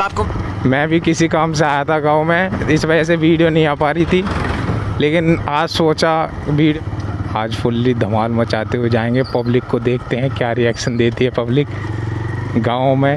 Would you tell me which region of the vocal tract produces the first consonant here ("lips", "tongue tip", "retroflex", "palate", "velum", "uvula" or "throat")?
lips